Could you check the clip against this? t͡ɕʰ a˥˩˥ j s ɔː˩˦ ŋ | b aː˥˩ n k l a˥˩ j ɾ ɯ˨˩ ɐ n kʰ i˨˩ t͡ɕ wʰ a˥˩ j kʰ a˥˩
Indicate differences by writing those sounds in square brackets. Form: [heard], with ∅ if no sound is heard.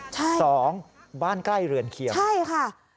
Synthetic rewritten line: t͡ɕʰ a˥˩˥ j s ɔː˩˦ ŋ | b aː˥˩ n k l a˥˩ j ɾ ɯ˨˩ [ə] n kʰ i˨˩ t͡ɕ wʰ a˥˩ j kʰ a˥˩